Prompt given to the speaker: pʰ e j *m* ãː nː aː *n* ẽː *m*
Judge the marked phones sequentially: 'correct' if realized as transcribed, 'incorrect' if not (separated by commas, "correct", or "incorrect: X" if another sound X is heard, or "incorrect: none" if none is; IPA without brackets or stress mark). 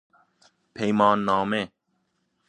correct, incorrect: m, incorrect: none